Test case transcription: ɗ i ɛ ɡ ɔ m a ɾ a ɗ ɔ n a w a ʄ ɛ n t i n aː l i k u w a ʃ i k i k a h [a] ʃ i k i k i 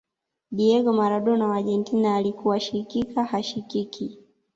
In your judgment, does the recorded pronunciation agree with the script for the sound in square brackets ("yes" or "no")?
yes